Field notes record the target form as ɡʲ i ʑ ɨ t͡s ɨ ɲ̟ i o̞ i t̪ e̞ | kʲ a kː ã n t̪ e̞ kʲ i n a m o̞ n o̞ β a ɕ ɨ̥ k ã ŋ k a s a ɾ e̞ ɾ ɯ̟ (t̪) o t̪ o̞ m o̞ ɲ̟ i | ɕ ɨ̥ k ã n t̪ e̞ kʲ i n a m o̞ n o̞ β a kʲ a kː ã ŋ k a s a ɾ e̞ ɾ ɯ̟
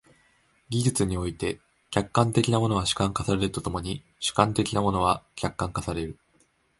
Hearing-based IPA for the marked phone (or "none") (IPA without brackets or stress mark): t̪